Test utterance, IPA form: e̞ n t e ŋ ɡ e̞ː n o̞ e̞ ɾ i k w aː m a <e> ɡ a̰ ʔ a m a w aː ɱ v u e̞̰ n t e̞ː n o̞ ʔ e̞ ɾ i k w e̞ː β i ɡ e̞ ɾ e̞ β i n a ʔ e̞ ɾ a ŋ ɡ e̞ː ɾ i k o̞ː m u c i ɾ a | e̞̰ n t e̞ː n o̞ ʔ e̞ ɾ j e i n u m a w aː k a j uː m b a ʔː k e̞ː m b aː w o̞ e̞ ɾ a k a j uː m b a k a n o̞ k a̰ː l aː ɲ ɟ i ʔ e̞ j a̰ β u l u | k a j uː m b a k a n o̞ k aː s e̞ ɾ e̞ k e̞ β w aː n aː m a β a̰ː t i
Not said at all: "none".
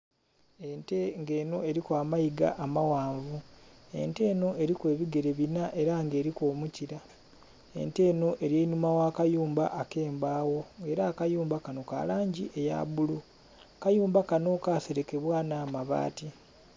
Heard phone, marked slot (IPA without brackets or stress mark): i